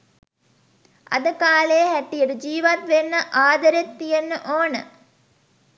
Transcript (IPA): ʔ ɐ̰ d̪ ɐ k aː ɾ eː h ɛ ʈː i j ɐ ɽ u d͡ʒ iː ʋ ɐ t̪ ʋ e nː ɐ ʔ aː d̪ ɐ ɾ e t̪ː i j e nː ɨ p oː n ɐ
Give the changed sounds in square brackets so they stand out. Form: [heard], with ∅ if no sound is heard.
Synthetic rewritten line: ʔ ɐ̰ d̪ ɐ k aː [l] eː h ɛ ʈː i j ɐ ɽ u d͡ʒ iː ʋ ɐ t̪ ʋ e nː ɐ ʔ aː d̪ ɐ ɾ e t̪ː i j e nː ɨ [ʔ] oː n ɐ

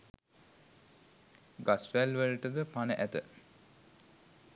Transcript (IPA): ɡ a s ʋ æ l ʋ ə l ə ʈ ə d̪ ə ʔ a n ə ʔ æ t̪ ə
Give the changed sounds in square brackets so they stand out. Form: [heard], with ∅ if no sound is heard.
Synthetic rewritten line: ɡ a s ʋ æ l ʋ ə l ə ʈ ə d̪ ə [p] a n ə ʔ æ t̪ ə

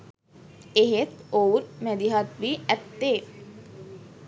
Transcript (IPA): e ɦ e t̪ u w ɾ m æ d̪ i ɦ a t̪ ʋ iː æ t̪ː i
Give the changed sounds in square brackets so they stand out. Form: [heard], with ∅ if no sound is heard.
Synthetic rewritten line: e ɦ e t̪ [o] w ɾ m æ d̪ i ɦ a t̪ ʋ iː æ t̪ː [e]

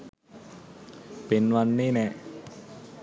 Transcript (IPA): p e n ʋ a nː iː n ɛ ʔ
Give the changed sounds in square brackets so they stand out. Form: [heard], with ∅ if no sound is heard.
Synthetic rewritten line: p e n [w] a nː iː n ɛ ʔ

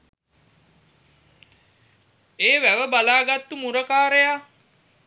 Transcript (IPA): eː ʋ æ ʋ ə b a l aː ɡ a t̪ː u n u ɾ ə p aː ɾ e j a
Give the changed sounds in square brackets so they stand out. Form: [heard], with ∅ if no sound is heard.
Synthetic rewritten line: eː ʋ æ ʋ ə b a l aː ɡ a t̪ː u [m] u ɾ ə [k] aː ɾ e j a

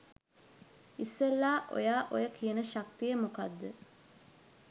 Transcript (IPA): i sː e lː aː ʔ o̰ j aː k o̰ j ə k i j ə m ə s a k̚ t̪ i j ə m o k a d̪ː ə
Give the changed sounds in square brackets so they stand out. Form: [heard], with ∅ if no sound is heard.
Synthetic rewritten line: i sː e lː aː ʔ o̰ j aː [ʔ] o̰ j ə k i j ə [n] ə [ʃ] a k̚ t̪ i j ə m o k a d̪ː ə

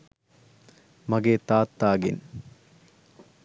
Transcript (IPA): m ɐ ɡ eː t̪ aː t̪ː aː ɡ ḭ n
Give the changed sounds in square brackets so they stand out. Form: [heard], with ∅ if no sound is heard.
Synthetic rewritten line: m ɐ ɡ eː t̪ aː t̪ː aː ɡ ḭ n

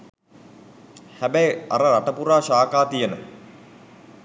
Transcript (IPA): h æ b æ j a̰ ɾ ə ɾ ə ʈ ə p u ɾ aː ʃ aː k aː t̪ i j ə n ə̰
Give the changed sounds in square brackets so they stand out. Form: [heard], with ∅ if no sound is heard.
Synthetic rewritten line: h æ b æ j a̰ ɾ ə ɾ [a] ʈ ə p u ɾ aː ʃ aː k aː t̪ i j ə n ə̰

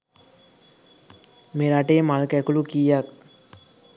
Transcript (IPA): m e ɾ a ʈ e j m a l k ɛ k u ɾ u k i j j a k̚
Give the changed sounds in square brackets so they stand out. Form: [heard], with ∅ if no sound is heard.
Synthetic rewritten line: m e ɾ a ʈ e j m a l k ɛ k u [l] u k i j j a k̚

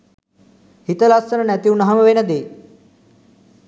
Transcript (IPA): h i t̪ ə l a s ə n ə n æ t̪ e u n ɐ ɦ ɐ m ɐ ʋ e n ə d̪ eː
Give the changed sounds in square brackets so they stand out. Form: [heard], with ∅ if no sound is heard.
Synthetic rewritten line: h i t̪ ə l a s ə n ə n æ t̪ [i] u n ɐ ɦ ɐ m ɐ ʋ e n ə d̪ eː

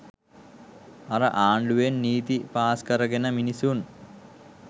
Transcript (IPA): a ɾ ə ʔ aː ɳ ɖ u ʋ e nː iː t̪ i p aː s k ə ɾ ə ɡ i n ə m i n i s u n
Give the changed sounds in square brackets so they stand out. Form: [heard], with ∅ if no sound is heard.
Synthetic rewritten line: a ɾ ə ʔ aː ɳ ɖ u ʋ e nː iː t̪ i p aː s k ə ɾ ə ɡ [e] n ə m i n i s u n

